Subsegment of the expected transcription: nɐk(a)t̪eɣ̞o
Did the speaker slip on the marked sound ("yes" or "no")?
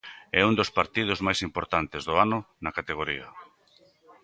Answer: no